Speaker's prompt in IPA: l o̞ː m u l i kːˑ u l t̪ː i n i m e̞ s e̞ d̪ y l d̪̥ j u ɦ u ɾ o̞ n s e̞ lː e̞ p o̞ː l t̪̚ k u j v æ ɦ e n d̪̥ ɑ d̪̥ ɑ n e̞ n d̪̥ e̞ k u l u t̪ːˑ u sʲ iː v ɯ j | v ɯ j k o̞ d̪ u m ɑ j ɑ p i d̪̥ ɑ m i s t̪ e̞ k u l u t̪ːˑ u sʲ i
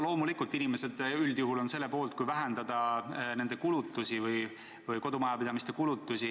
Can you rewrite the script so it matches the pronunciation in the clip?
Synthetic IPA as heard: l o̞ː m u l i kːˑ u l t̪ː i n i m e̞ s e̞ d̪ y l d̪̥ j u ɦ u l o̞ n s e̞ lː e̞ p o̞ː l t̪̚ k u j v æ ɦ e n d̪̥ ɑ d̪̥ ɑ n e̞ n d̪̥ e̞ k u l u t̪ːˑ u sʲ i v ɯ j | v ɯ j k o̞ d̪ u m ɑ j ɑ p i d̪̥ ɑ m i s t̪ e̞ k u l u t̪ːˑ u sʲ i